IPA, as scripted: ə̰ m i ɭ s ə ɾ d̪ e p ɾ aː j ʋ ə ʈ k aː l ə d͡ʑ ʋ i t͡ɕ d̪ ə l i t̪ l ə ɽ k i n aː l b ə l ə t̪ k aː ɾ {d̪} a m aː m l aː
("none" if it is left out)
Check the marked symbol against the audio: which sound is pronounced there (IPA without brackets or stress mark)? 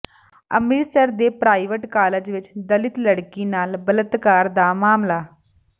d̪